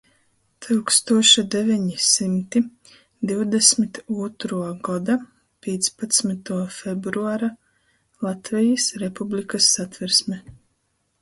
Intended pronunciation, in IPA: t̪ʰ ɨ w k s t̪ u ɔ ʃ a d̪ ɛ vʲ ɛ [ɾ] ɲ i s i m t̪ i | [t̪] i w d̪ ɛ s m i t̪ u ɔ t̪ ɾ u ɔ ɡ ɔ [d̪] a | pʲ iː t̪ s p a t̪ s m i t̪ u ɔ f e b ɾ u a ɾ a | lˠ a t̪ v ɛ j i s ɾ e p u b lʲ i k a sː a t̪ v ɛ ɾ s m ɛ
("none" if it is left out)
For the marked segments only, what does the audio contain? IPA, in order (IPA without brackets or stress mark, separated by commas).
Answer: none, d̪, d̪